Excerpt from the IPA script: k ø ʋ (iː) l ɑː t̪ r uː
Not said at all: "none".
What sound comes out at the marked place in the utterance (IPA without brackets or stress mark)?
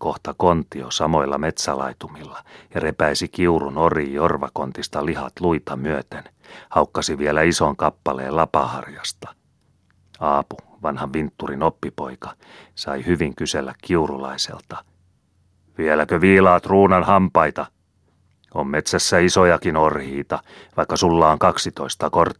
iː